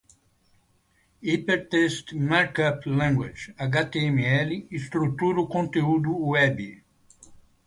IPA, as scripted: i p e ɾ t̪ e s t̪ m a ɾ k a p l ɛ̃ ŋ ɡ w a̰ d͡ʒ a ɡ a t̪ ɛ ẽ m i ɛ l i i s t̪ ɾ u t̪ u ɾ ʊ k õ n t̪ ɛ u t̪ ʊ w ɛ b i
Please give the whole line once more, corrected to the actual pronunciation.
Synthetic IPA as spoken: i p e ɾ t̪ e s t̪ m a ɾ k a p l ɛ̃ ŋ ɡ w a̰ d͡ʒ a ɡ a t̪ e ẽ m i ɛ l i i s t̪ ɾ u t̪ u ɾ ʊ k õ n t̪ e u d̪ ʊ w ɛ b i